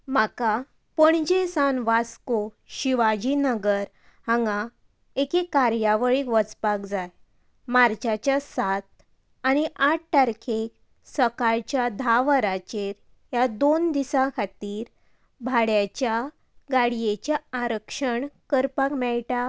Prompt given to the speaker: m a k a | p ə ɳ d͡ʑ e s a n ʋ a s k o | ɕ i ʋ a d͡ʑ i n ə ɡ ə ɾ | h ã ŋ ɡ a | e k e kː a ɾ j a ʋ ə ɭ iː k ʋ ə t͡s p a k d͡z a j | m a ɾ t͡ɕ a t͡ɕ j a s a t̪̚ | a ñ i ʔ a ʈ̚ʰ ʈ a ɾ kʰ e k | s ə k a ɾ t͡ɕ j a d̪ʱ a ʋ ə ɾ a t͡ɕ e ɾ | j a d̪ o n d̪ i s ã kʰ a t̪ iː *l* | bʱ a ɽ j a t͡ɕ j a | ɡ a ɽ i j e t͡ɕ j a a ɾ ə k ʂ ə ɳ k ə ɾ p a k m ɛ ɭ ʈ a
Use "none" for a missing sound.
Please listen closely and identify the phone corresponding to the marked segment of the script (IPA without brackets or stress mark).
ɾ